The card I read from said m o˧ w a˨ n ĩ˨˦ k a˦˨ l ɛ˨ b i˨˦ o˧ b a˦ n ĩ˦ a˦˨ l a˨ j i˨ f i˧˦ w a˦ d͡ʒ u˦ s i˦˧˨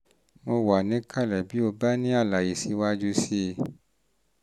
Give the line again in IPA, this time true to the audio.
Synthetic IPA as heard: m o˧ w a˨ n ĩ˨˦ k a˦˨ l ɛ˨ b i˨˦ o˧ b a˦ n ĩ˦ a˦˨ l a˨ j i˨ s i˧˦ w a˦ d͡ʒ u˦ s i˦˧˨

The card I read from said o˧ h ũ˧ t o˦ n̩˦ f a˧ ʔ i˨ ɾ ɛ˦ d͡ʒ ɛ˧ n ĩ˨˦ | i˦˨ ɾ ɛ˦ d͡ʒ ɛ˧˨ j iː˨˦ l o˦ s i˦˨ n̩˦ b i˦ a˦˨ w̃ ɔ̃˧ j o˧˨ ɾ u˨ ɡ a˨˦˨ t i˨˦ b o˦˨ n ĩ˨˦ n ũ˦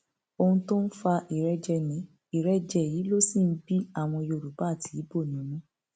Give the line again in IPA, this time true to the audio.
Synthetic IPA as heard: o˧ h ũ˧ t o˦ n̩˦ f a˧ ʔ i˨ ɾ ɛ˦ d͡ʒ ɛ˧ n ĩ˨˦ | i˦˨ ɾ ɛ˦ d͡ʒ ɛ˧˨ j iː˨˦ l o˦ s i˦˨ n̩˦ b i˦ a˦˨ w̃ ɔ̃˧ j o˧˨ ɾ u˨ b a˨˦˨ t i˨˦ b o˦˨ n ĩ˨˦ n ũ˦

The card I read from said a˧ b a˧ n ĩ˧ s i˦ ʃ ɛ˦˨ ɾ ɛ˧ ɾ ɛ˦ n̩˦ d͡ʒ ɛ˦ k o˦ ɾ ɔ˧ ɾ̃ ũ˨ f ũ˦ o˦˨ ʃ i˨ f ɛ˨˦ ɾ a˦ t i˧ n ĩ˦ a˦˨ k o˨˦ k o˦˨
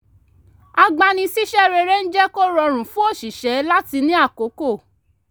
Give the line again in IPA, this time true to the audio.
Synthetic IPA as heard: a˧ ɡ͡b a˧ n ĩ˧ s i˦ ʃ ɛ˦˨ ɾ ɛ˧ ɾ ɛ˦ n̩˦ d͡ʒ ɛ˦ k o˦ ɾ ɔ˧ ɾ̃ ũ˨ f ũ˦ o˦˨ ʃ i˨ ʃ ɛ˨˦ l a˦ t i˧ n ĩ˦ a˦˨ k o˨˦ k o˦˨

